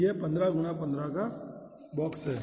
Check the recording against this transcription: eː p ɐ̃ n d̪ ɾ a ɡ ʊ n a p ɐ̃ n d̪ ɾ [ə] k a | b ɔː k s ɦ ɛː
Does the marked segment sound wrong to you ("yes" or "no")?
yes